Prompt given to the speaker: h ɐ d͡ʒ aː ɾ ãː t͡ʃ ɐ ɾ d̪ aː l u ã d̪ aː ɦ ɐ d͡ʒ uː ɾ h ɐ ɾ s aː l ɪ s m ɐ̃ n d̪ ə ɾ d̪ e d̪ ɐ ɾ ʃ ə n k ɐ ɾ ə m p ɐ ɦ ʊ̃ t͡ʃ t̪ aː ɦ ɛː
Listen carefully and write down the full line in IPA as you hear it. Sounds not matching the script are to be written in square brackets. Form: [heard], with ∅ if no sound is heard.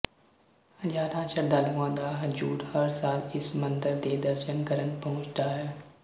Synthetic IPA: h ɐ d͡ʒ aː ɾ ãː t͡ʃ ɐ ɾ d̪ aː l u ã d̪ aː ɦ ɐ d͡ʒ uː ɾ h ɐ ɾ s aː l ɪ s m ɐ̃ n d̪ ə ɾ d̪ e d̪ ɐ ɾ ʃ ə n k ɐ ɾ ə [n] p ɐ ɦ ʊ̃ t͡ʃ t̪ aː ɦ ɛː